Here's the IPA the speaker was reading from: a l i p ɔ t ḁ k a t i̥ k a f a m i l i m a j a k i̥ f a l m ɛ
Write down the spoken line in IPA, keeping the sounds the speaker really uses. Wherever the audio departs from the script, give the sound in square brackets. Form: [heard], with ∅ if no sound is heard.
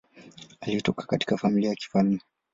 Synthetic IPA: a l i [t] ɔ [k] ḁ k a t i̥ k a f a m i l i [∅] a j a k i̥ f a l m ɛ